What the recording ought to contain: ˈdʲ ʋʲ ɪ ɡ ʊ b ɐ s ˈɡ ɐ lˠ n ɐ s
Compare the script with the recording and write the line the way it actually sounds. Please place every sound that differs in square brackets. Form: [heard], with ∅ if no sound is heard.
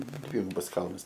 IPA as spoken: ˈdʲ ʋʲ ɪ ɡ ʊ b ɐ s [ˈk] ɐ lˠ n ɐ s